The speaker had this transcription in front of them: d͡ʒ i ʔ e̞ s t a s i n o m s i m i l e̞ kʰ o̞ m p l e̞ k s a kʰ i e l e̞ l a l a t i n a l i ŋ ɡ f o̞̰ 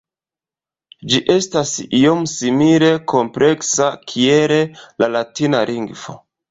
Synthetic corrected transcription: d͡ʒ i ʔ e̞ s t a s i o m s i m i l e̞ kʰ o̞ m p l e̞ k s a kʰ i e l e̞ l a l a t i n a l i ŋ ɡ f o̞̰